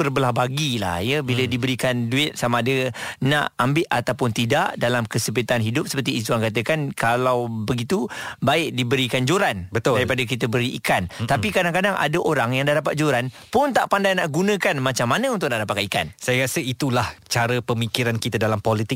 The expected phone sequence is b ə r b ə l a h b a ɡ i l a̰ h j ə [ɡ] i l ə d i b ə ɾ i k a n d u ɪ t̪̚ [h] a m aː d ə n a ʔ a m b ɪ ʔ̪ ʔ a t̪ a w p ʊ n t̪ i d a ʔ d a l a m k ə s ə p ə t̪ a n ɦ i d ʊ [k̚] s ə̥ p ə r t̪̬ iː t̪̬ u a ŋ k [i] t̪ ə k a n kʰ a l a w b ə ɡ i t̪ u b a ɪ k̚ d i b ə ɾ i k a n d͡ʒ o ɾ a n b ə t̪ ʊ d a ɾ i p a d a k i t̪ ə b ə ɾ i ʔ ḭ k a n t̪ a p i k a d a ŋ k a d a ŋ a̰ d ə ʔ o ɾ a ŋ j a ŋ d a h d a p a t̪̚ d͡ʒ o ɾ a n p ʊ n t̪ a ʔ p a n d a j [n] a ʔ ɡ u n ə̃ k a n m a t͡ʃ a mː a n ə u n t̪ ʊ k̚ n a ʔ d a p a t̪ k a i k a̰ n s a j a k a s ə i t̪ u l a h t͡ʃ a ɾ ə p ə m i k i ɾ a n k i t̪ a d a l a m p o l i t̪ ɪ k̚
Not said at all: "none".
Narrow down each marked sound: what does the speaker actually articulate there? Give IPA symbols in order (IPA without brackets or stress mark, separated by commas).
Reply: b, s, p̚, a, n